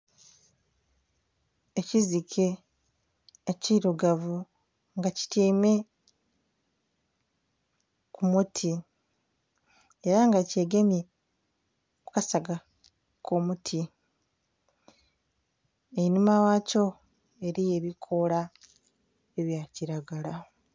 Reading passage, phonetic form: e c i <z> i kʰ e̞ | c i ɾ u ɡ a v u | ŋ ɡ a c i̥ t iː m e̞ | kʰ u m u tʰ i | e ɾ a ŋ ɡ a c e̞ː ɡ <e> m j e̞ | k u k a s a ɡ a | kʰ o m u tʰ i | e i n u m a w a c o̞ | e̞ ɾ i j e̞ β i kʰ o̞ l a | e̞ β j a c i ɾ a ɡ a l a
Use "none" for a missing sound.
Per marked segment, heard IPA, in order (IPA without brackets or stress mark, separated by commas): z, e